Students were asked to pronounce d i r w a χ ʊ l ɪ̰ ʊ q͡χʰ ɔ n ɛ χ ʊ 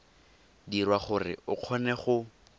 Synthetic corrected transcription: d i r w a χ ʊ r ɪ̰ ʊ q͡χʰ ɔ n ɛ χ ʊ